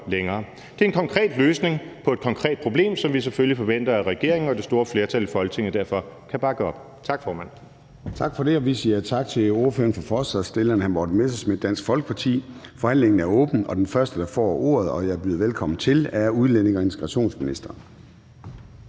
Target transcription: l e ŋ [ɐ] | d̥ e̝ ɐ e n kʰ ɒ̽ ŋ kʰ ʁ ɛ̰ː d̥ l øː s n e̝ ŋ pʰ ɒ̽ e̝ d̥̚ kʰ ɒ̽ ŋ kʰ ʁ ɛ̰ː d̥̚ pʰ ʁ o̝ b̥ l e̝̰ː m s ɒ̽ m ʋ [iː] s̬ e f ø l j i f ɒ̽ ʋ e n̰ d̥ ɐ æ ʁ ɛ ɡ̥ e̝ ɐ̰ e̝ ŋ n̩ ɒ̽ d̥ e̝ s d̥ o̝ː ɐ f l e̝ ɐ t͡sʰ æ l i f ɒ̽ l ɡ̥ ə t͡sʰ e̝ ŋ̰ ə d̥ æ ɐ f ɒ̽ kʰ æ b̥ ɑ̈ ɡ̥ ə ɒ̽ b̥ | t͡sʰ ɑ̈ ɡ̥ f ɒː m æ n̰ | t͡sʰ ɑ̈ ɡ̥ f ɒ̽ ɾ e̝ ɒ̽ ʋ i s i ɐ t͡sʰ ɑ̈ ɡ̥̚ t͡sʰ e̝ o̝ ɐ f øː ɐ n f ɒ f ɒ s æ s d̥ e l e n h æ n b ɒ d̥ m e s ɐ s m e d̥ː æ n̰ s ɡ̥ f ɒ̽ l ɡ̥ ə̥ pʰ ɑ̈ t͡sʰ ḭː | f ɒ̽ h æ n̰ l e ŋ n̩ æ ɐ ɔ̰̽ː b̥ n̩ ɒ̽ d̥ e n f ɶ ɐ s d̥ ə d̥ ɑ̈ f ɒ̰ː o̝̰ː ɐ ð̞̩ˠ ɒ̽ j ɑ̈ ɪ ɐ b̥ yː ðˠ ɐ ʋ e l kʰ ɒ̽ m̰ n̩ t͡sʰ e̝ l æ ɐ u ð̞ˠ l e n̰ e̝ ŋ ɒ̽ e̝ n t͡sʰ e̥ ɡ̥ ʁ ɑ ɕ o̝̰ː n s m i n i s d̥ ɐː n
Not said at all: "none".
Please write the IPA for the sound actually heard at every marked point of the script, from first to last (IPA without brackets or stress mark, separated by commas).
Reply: ɐː, i